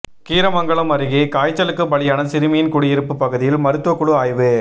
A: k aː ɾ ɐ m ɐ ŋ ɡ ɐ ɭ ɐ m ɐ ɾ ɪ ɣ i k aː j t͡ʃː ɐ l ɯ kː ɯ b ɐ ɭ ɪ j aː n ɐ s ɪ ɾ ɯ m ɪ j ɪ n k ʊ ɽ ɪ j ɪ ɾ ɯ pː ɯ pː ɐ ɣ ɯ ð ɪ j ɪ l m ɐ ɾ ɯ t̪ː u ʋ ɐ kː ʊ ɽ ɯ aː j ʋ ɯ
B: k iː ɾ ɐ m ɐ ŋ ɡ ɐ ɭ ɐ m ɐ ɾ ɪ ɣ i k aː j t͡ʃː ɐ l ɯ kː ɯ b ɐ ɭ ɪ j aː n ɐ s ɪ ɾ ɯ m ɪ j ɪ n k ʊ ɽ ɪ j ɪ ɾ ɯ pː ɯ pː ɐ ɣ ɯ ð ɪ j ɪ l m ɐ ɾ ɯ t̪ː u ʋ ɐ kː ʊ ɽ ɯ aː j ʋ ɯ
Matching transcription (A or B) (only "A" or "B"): B